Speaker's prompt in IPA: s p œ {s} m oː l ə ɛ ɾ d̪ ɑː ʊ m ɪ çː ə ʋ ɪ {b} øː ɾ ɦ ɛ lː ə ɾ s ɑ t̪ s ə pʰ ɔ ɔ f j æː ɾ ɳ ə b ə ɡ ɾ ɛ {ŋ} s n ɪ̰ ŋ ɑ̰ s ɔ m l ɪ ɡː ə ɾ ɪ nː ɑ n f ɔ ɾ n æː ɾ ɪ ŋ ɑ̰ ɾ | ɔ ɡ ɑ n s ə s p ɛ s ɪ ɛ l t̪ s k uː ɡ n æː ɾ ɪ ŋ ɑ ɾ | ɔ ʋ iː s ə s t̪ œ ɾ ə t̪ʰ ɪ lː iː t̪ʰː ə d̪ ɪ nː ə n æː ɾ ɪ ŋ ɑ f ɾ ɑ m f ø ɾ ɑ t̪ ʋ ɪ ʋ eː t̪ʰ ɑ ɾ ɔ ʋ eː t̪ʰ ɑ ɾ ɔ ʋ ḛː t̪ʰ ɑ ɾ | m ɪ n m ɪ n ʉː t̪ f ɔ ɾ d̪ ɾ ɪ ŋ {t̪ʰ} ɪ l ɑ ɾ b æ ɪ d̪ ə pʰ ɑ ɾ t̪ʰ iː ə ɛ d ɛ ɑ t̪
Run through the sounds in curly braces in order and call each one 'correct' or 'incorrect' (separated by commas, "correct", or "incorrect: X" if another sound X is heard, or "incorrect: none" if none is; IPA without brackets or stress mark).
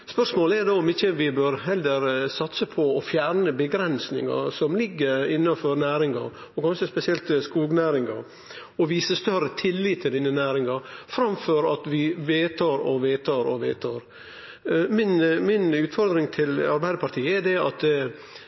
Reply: incorrect: ʂ, correct, incorrect: n, correct